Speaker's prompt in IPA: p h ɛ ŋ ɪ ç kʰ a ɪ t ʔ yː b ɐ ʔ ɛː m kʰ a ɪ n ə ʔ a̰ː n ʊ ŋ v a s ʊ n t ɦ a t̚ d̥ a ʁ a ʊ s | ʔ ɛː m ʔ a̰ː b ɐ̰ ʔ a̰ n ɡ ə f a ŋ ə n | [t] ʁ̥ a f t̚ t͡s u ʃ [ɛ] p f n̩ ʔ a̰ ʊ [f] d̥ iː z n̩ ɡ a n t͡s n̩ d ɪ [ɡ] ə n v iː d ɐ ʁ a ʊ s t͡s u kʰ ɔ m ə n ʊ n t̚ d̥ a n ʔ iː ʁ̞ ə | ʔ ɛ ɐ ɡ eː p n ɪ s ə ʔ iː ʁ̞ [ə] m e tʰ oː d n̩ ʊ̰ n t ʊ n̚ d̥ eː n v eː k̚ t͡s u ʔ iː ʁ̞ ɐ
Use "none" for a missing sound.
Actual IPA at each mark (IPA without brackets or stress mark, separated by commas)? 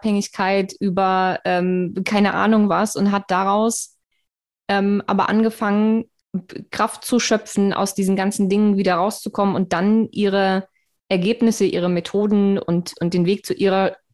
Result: k, œ, s, ŋ, ə